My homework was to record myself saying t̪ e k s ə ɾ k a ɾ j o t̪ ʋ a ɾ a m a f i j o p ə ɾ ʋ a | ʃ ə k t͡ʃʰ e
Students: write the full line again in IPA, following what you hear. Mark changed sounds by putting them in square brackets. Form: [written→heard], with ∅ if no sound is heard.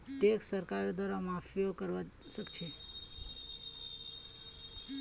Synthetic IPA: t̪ e k s ə ɾ k a ɾ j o [t̪→d̪] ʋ a ɾ a m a f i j o [p→k] ə ɾ ʋ a | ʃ ə k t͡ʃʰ e